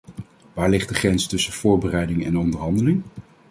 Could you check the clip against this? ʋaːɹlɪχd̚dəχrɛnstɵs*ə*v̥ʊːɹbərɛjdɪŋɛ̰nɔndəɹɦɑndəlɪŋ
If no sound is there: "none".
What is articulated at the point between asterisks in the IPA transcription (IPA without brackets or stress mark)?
ə